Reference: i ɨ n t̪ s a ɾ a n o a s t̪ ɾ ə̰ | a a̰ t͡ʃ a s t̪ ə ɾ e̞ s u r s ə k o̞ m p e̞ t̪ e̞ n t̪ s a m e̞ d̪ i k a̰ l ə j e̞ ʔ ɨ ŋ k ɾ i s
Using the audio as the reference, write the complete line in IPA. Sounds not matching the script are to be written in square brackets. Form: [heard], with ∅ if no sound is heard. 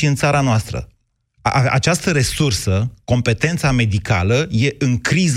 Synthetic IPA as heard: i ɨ n t̪ s a ɾ a n o a s t̪ ɾ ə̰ | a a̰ t͡ʃ a s t̪ ə ɾ e̞ s u r s ə k o̞ m p e̞ t̪ e̞ n t̪ s a m e̞ d̪ i k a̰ l ə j e̞ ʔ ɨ ŋ k ɾ i [z]